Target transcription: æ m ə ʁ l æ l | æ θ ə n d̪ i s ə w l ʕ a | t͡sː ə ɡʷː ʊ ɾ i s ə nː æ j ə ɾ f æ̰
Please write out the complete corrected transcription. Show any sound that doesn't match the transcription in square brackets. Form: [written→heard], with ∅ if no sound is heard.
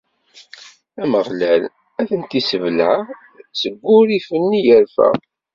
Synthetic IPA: æ m ə ʁ l æ l | æ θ ə n [d̪→t̪] i s ə [w→v] l ʕ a | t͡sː ə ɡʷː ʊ ɾ i [s→f] ə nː [æ→i] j ə ɾ f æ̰